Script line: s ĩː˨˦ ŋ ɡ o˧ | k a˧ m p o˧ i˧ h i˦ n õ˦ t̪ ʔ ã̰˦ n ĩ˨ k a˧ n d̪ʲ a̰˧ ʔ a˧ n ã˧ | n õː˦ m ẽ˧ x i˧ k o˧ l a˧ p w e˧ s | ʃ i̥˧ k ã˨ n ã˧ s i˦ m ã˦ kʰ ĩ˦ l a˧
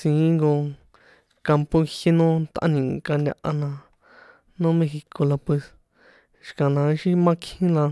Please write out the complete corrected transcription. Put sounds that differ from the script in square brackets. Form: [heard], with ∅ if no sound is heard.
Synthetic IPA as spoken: s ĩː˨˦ ŋ ɡ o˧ | k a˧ m p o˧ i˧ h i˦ n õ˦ t̪ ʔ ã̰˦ n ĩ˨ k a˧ n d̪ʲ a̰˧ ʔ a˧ n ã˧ | n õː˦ m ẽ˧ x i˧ k o˧ l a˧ p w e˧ s | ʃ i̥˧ k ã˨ n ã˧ [ʃ] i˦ m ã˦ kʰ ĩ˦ l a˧